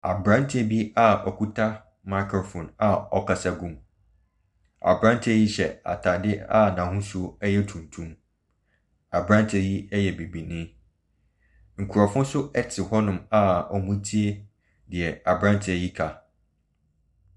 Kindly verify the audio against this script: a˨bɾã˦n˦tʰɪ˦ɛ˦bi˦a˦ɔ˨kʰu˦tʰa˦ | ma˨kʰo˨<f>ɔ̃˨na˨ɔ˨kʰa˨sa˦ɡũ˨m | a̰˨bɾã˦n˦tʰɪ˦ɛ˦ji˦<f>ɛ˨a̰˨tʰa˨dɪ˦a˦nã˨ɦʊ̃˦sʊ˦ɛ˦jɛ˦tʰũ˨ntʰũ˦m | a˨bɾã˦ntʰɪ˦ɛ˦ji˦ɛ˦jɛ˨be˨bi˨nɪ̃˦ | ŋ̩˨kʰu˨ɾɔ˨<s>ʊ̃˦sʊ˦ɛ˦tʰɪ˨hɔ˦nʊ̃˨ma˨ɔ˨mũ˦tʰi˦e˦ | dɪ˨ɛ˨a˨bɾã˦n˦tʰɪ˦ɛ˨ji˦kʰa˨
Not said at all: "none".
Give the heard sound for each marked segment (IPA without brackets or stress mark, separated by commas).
f, ɕ, f